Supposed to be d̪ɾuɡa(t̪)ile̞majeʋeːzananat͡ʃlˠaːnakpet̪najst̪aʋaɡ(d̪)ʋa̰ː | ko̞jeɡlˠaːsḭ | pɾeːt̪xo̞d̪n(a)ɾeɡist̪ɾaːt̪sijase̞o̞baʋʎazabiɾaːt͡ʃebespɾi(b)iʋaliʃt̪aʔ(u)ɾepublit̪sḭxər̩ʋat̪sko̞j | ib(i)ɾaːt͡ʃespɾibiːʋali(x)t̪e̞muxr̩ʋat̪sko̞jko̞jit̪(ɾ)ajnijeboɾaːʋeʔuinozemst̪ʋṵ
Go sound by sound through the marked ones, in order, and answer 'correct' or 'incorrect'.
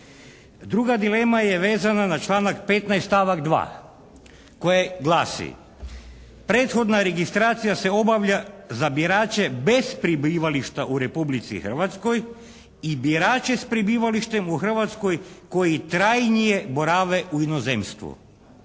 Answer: incorrect: d̪, correct, correct, correct, correct, correct, incorrect: ʃ, correct

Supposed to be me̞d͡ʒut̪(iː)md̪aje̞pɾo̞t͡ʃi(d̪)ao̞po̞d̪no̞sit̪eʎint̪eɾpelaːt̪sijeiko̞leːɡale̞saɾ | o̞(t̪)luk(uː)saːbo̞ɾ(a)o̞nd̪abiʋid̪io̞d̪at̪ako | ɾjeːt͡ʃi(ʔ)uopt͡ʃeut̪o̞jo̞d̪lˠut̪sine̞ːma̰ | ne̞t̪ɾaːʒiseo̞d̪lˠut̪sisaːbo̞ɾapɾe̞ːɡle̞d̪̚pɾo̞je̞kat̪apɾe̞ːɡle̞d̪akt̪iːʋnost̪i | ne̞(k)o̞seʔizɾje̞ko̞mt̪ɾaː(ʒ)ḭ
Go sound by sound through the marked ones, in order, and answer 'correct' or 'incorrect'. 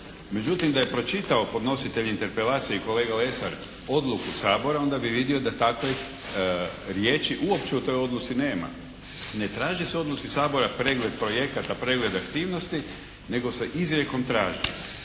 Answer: incorrect: i, incorrect: t̪, incorrect: d̪, incorrect: u, correct, correct, incorrect: ɡ, correct

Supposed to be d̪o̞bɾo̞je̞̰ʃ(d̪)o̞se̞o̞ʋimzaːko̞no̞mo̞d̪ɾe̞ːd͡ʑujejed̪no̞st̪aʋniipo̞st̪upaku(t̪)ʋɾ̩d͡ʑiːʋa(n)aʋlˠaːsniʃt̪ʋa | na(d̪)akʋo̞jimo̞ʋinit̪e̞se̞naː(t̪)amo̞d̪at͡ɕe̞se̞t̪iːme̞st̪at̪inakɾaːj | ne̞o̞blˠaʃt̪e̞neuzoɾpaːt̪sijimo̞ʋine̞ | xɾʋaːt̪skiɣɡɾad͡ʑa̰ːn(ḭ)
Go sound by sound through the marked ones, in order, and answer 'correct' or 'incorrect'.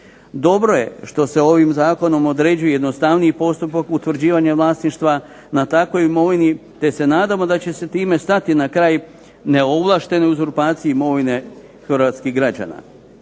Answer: incorrect: t̪, correct, incorrect: ɲ, incorrect: t̪, incorrect: d̪, incorrect: a̰

